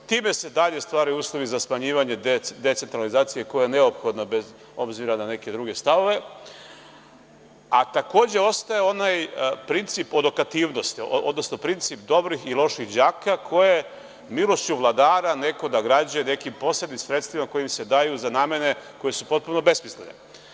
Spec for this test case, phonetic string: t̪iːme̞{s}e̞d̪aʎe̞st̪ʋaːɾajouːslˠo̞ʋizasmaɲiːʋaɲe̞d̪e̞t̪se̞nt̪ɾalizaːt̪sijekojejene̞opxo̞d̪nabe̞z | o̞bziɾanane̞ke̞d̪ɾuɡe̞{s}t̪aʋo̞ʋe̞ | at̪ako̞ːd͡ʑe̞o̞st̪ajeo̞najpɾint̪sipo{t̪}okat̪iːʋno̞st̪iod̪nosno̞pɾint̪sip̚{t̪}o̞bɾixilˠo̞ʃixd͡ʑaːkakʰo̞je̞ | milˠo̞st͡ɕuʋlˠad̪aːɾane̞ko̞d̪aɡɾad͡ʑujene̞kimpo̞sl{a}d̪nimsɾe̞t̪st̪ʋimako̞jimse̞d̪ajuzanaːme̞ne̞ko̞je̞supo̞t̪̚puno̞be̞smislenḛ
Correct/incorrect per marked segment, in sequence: correct, correct, incorrect: d̪, incorrect: d̪, incorrect: e

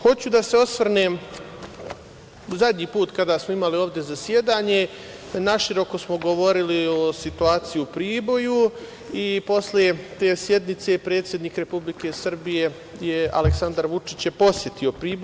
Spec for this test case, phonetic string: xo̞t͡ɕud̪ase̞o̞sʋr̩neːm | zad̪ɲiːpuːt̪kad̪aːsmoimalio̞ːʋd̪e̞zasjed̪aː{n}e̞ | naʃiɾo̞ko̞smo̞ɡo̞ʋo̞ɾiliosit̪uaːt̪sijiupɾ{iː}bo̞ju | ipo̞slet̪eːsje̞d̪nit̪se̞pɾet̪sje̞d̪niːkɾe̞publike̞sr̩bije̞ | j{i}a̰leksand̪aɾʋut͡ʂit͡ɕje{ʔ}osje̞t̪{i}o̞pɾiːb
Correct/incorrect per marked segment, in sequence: incorrect: ɲ, correct, incorrect: e, incorrect: p, correct

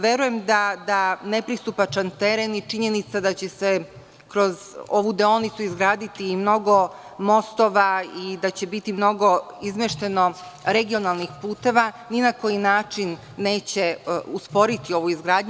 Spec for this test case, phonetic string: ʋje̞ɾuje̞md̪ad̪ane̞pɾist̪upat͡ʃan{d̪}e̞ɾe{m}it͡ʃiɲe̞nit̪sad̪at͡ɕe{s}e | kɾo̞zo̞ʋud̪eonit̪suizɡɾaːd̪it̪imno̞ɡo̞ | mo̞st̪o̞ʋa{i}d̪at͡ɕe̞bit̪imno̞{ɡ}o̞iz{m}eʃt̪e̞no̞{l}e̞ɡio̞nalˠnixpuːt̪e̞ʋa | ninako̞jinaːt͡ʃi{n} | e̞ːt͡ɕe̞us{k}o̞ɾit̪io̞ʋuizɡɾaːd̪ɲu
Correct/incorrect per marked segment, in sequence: incorrect: t̪, incorrect: n, correct, correct, correct, correct, incorrect: ɾ, incorrect: nː, incorrect: p

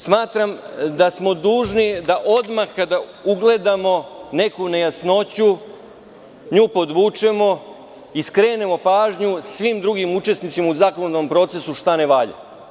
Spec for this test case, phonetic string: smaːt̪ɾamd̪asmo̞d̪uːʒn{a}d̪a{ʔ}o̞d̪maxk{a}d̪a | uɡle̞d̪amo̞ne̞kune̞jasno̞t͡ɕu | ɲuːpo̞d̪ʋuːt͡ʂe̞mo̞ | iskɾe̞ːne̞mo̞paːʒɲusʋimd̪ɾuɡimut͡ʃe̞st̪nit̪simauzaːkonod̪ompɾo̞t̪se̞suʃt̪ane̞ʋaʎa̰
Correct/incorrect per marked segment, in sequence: incorrect: i, correct, correct

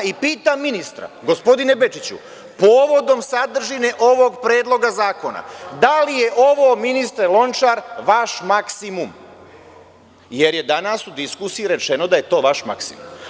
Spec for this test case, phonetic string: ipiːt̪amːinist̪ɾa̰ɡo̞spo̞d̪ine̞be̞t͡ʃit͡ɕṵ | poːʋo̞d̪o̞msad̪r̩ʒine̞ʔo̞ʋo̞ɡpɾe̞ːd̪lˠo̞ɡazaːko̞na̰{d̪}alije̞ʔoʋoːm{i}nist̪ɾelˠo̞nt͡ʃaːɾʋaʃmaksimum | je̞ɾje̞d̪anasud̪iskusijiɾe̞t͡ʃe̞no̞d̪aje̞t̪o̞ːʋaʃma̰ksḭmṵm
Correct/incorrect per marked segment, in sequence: correct, correct

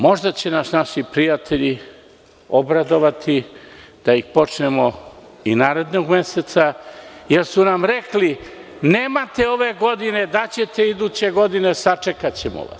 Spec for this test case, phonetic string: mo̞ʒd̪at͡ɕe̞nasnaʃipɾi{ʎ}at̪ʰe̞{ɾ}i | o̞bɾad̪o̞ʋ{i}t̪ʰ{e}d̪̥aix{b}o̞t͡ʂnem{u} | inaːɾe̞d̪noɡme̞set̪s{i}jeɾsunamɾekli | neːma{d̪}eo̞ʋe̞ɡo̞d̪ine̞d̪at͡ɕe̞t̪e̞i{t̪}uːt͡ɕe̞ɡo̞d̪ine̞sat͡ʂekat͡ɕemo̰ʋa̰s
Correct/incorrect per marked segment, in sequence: incorrect: j, incorrect: ʎ, incorrect: a, incorrect: i, incorrect: p, incorrect: o, incorrect: a, incorrect: t̪, incorrect: d̪

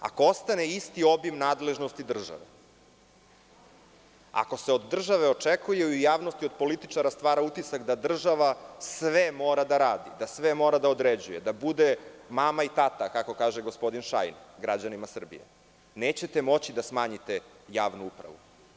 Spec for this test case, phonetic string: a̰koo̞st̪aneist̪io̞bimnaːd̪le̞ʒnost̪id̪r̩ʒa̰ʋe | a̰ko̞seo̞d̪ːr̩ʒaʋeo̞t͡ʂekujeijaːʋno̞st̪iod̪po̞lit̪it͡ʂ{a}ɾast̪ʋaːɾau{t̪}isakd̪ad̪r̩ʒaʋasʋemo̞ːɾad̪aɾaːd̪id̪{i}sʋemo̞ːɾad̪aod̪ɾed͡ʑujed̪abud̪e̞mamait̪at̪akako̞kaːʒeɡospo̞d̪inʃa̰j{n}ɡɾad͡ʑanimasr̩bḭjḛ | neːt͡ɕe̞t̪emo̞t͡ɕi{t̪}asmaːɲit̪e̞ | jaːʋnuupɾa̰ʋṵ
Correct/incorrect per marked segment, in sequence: correct, correct, incorrect: a, correct, incorrect: d̪

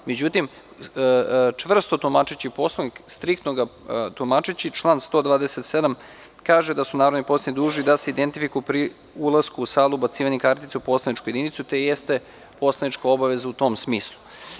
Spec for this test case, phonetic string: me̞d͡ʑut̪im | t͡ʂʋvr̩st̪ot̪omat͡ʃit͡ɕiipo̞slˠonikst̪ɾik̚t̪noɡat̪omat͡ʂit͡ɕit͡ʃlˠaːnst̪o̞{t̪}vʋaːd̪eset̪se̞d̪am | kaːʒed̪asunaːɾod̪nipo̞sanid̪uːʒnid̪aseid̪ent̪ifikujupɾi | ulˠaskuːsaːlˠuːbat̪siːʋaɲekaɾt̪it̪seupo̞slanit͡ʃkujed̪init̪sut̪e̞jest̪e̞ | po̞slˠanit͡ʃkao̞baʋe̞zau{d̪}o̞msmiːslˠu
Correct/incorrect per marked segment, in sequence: incorrect: d̪, incorrect: t̪

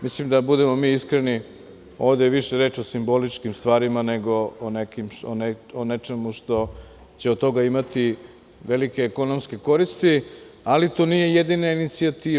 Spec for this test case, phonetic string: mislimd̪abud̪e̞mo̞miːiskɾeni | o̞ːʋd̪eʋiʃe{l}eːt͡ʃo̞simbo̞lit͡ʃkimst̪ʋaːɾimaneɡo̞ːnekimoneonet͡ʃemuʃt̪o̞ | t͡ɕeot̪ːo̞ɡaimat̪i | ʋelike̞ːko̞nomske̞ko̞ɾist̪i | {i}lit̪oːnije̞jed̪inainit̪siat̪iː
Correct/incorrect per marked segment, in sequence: incorrect: ɾ, incorrect: a

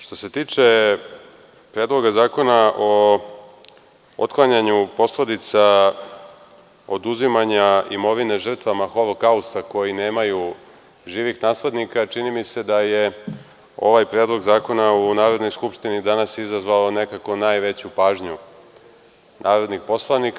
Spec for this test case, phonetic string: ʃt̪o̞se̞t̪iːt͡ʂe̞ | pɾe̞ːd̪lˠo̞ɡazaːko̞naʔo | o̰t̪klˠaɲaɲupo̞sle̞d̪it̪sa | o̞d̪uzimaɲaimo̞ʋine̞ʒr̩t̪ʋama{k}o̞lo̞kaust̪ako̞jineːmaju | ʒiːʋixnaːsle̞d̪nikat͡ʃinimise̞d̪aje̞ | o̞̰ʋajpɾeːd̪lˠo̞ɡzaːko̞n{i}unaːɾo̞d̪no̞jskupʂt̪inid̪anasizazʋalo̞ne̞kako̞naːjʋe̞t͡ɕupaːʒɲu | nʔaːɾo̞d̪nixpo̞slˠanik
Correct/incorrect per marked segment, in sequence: incorrect: x, incorrect: a

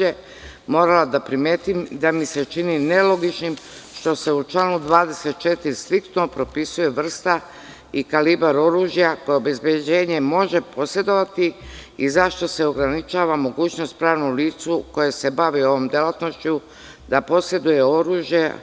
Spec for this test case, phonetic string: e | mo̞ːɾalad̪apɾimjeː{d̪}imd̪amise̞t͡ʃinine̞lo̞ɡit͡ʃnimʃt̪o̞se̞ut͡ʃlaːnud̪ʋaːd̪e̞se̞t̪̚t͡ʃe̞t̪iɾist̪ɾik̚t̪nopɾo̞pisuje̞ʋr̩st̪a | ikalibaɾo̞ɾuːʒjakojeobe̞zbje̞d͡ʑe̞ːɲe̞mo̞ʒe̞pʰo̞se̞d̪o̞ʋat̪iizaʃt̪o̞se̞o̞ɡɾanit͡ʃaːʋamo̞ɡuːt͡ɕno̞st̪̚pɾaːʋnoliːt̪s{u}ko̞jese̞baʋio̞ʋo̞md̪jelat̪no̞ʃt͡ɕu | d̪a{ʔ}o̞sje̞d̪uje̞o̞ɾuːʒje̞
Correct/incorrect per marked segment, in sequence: incorrect: t̪, correct, incorrect: p

